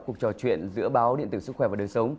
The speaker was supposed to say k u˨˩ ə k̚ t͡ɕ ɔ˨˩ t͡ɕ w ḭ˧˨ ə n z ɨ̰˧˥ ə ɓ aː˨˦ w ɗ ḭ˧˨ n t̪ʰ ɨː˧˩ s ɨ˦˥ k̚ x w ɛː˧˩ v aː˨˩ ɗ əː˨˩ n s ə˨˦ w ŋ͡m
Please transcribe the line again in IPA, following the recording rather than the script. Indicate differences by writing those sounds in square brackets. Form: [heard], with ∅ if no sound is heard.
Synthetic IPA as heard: k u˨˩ ə k̚ t͡ɕ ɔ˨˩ t͡ɕ w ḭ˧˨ ə n z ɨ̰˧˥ ə ɓ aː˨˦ w ɗ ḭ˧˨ n [t̪] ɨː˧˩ s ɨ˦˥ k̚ x w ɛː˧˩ v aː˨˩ ɗ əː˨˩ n s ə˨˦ w ŋ͡m

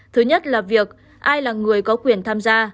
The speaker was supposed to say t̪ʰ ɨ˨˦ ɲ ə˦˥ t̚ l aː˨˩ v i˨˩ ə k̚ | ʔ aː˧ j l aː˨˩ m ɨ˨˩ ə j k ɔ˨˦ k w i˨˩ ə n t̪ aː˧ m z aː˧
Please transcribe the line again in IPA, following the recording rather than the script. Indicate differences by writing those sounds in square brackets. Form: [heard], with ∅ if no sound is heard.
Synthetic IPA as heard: t̪ʰ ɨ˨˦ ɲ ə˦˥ t̚ l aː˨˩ v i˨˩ ə k̚ | ʔ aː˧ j l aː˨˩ [ŋ] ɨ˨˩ ə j k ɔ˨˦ k w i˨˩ ə n [t̪ʰ] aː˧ m z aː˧

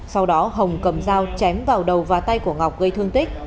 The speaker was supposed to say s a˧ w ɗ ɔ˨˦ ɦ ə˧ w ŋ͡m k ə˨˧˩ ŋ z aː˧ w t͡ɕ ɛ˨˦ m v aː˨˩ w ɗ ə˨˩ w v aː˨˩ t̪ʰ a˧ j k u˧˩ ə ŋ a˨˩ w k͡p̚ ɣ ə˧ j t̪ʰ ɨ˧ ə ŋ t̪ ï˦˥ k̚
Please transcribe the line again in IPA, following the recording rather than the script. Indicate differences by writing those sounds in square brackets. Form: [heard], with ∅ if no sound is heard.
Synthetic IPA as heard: s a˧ w ɗ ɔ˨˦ ɦ [ə˨˩] w ŋ͡m k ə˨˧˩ [m] z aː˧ w t͡ɕ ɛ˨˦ m v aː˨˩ w ɗ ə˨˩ w v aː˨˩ [t̪] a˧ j k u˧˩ ə ŋ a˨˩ w k͡p̚ ɣ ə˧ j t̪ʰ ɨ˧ ə ŋ t̪ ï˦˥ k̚

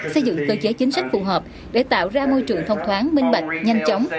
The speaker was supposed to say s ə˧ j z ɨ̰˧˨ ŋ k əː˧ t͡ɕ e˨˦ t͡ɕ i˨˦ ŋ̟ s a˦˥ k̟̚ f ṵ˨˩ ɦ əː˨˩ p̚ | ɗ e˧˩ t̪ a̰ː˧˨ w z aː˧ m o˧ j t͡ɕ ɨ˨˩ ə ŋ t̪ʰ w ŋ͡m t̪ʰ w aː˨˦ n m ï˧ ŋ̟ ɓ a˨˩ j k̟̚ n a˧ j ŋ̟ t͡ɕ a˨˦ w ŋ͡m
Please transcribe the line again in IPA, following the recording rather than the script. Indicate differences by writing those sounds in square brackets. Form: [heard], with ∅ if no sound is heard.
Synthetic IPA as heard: s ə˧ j z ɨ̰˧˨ ŋ k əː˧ t͡ɕ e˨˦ t͡ɕ i˨˦ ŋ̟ s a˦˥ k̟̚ f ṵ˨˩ ɦ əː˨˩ p̚ | ɗ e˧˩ t̪ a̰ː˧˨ w z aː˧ m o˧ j t͡ɕ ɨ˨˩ ə ŋ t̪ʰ w ŋ͡m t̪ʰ w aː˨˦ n m ï˧ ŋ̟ ɓ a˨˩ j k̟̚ [ɲ] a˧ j ŋ̟ t͡ɕ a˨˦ w ŋ͡m

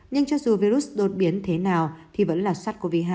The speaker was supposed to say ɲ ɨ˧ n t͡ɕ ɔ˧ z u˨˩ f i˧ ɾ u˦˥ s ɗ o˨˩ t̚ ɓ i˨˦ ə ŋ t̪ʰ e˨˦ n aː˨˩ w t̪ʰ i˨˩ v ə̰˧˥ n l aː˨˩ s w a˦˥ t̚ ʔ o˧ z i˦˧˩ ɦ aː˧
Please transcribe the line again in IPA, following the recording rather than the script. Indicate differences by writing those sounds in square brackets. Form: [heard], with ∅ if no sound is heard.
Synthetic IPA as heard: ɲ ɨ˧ [ŋ] t͡ɕ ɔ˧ z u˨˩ [v] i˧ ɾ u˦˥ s ɗ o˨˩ t̚ ɓ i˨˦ ə [n] t̪ʰ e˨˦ n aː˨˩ w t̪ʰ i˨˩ v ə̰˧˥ n l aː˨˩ s w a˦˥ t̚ [k] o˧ [v] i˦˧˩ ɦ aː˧

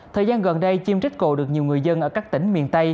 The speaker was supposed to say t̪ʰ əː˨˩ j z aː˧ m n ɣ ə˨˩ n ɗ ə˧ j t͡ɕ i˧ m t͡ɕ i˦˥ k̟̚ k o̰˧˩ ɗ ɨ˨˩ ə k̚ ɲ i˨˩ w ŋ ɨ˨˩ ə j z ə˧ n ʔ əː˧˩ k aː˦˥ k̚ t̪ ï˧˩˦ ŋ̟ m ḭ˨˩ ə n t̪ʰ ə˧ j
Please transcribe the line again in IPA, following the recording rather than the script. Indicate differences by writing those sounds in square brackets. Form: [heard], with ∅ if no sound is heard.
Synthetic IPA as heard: t̪ʰ əː˨˩ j z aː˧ [∅] n ɣ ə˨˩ n ɗ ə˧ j t͡ɕ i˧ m t͡ɕ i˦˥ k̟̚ k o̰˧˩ ɗ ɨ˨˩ ə k̚ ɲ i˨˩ w ŋ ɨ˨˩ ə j z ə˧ n ʔ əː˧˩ k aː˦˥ k̚ t̪ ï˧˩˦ ŋ̟ m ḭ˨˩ ə n [t̪] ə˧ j

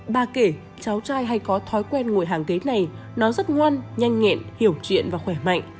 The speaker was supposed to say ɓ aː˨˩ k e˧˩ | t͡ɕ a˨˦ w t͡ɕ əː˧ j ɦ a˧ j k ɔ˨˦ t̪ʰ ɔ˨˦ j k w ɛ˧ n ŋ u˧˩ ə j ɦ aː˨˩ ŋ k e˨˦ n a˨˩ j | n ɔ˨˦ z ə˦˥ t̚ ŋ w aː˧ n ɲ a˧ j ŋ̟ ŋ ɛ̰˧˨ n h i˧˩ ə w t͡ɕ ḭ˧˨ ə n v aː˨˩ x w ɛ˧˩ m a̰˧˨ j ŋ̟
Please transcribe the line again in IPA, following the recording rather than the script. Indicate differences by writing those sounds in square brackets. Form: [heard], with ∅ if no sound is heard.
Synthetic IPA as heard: ɓ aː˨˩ k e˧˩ | t͡ɕ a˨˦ w t͡ɕ [aː˧] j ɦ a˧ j k ɔ˨˦ t̪ʰ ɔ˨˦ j k w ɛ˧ n ŋ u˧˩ ə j ɦ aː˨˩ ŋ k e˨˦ n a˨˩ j | n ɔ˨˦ z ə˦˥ t̚ ŋ w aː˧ n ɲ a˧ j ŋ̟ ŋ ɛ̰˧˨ n h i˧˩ ə w t͡ɕ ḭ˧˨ ə n v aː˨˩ x w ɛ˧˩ m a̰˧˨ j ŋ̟

